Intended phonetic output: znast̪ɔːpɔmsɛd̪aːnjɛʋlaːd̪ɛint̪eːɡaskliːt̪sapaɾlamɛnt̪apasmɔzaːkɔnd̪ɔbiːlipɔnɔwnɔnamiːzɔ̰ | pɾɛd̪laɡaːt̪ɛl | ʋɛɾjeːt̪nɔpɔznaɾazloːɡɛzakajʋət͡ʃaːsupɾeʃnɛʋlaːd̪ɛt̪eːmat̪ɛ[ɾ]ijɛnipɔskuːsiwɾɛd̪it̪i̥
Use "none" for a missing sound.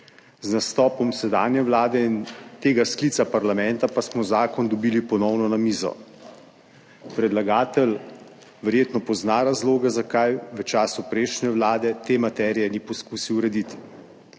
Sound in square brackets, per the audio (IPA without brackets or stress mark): ɾ